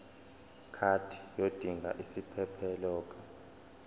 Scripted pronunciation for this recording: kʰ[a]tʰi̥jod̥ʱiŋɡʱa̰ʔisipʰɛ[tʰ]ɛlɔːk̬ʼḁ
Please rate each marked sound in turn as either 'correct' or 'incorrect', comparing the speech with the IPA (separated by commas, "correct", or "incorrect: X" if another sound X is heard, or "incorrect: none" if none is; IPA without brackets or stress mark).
correct, incorrect: pʰ